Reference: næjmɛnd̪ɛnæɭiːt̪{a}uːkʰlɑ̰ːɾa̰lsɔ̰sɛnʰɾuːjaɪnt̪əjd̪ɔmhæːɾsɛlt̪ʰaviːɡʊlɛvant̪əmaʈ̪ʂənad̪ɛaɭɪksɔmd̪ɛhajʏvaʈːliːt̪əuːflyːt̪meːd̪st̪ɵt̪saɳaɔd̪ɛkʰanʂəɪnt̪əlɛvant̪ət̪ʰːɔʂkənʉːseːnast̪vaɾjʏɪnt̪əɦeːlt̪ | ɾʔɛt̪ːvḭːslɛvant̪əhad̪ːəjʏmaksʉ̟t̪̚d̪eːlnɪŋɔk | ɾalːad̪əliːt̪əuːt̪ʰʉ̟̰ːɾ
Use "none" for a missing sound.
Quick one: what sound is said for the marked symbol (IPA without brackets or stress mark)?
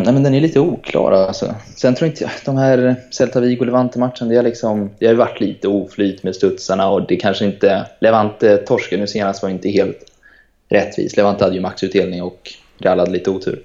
ə